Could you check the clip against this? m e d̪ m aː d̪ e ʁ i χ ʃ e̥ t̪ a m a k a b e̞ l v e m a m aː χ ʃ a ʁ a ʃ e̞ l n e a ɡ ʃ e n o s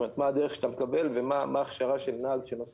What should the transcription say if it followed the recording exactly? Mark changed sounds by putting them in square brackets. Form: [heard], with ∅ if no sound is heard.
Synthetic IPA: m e [t̪] m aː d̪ e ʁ [e] χ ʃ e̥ t̪ a m [e] k a b e̞ l v e m a m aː χ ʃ a ʁ a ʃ e̞ l n [a] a ɡ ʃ e n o s